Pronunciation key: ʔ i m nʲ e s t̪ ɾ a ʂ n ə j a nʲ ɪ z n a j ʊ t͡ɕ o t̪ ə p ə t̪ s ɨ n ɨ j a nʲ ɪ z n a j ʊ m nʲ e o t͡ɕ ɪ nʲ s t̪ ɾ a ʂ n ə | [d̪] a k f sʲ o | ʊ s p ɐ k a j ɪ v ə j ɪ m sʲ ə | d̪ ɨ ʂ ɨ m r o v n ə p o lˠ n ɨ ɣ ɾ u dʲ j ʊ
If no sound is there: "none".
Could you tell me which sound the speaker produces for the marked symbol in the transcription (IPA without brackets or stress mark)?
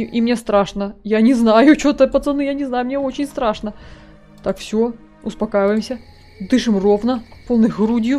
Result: t̪